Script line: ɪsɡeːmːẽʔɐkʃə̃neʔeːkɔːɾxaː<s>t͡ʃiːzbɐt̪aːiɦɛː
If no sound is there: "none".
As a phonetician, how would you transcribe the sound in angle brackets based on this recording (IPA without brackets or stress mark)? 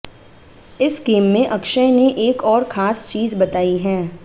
s